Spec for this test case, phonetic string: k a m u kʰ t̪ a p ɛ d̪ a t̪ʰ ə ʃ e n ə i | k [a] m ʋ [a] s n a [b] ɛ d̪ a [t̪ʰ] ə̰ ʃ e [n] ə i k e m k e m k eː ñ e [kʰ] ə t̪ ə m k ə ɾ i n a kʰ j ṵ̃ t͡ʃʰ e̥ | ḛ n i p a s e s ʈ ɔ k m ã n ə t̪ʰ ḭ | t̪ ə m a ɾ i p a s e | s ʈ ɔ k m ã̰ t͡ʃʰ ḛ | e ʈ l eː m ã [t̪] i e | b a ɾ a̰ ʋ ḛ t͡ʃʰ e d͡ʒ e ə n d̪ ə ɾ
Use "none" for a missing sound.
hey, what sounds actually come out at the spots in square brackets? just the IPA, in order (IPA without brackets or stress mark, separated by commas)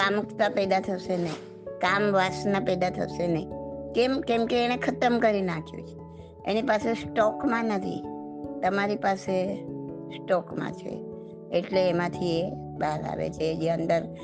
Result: a, a, p, t̪ʰ, n, kʰ, t̪ʰ